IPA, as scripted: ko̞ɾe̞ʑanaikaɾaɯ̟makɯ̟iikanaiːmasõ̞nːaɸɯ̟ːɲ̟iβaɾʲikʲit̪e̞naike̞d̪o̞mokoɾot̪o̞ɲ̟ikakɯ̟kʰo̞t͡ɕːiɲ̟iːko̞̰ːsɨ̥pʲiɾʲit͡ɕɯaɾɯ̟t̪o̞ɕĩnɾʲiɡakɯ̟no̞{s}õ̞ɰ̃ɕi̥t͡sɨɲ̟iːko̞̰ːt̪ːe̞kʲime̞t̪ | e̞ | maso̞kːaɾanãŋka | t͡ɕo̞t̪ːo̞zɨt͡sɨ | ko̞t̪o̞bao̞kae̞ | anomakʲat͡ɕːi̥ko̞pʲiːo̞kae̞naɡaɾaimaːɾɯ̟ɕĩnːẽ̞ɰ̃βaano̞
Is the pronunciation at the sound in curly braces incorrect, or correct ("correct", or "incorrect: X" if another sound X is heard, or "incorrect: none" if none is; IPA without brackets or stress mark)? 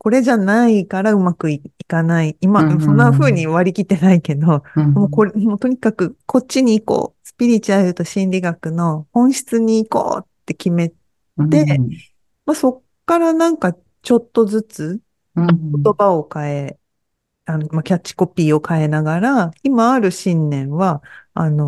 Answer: incorrect: h